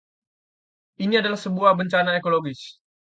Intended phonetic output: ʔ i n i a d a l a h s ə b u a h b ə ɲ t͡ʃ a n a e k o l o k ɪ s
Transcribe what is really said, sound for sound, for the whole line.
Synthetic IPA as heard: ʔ i n i a d a l a h s ə b u a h b ə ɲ t͡ʃ a n a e k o l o ɡ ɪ s